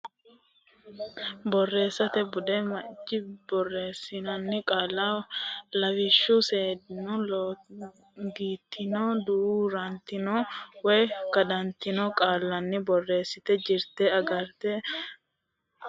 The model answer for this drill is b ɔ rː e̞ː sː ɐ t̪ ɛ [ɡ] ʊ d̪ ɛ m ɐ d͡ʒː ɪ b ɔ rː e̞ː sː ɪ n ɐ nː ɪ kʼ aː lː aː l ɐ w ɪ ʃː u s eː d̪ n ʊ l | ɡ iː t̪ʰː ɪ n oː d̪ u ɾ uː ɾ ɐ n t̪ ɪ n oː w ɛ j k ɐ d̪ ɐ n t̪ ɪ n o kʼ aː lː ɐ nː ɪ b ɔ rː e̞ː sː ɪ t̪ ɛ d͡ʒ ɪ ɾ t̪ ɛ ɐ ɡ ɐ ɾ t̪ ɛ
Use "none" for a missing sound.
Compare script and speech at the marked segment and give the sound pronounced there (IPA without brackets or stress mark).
b